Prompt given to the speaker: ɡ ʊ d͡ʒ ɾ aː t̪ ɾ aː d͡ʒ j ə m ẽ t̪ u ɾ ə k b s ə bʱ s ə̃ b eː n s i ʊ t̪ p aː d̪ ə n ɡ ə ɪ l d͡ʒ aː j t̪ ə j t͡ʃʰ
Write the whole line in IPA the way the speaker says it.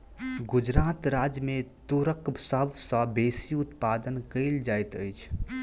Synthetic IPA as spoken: ɡ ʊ d͡ʒ ɾ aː t̪ ɾ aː d͡ʒ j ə m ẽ t̪ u ɾ ə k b s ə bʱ s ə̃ b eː s i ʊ t̪ p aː d̪ ə n k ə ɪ l d͡ʒ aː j t̪ ə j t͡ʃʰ